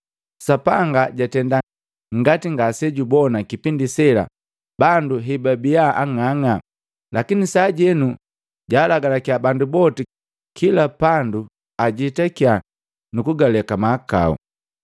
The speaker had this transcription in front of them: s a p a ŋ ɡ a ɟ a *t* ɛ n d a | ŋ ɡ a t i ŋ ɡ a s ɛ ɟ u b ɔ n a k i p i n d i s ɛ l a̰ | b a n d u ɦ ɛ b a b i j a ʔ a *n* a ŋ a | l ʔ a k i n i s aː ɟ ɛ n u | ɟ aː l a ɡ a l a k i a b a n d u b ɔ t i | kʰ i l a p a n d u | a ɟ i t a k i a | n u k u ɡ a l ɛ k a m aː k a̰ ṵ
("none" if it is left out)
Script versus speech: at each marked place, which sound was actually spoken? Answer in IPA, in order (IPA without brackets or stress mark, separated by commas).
t, ŋ